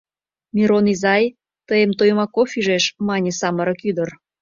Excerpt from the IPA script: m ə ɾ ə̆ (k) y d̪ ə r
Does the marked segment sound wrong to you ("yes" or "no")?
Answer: no